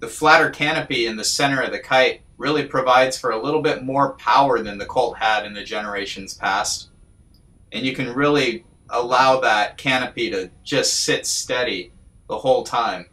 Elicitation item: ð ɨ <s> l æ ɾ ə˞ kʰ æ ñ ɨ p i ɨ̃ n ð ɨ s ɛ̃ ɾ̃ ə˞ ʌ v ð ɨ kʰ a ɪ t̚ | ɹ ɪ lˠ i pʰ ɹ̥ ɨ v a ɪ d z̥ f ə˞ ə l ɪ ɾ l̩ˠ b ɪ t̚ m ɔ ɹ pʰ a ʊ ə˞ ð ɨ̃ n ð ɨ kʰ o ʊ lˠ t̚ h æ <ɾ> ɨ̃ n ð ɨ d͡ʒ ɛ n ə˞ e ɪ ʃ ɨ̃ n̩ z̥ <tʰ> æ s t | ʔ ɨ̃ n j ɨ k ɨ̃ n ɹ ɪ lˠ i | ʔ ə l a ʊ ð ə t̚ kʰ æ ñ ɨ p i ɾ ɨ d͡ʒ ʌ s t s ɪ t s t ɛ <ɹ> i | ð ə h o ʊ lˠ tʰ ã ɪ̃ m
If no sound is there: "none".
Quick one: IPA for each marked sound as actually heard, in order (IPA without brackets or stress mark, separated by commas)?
f, ɾ, pʰ, ɾ